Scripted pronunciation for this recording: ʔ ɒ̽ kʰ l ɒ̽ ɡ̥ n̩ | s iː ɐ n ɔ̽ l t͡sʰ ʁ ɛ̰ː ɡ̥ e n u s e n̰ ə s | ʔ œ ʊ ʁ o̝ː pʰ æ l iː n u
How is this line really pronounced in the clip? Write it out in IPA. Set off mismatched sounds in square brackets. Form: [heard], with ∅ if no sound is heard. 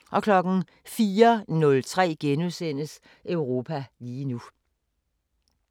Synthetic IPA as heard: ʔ ɒ̽ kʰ l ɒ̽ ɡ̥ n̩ | [f] iː ɐ n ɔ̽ l t͡sʰ ʁ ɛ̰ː ɡ̥ e n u s e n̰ ə s | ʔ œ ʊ ʁ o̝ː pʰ æ l iː n u